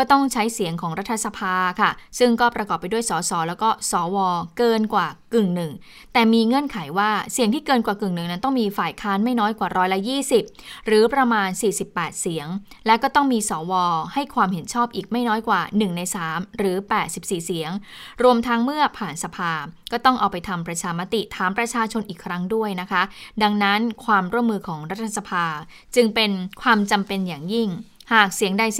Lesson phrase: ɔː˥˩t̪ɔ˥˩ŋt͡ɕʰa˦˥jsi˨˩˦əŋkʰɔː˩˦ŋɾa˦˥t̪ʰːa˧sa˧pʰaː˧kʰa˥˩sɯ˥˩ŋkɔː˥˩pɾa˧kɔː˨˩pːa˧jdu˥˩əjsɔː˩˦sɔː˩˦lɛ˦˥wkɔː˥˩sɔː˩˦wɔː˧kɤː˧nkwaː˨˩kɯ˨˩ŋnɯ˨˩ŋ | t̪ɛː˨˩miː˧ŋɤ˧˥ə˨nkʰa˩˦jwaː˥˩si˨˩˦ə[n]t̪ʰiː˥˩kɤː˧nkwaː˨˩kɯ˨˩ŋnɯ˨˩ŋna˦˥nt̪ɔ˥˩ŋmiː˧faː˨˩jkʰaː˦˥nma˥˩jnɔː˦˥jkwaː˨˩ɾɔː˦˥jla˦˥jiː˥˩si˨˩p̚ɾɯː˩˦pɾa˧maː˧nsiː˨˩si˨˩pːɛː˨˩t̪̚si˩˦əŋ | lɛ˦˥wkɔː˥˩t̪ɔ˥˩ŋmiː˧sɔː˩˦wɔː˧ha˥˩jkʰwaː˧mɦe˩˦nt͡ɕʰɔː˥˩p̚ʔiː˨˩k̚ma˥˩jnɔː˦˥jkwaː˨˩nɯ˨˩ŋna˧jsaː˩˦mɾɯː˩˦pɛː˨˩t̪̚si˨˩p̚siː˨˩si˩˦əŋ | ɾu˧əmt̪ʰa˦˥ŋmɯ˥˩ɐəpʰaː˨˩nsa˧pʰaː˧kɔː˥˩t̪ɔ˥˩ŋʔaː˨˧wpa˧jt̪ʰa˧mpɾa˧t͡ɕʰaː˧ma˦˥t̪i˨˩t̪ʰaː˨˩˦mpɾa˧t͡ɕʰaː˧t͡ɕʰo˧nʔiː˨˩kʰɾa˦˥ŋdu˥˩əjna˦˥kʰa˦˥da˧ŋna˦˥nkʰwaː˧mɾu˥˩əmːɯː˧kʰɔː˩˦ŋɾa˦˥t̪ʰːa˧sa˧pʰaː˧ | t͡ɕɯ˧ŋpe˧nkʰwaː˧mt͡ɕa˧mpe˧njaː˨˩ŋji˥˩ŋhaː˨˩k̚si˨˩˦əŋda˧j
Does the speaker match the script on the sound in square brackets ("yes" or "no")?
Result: no